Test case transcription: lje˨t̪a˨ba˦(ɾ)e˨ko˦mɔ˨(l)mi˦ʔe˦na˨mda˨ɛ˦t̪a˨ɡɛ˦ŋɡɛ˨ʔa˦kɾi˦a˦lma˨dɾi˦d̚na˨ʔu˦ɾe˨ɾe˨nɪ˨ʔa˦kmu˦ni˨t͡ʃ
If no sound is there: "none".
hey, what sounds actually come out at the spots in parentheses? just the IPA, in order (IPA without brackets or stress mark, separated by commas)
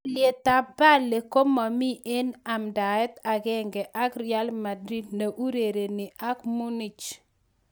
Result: l, none